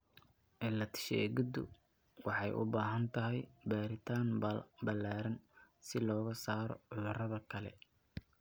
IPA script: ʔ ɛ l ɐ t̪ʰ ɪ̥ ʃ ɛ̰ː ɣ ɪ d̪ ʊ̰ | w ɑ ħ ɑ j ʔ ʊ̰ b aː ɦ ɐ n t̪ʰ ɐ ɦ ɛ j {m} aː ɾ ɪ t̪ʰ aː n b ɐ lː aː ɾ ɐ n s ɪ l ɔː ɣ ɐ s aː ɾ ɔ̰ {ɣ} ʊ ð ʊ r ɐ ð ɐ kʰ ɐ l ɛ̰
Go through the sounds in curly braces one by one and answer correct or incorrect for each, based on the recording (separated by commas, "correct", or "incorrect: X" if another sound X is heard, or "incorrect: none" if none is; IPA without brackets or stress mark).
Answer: incorrect: b, incorrect: ʕ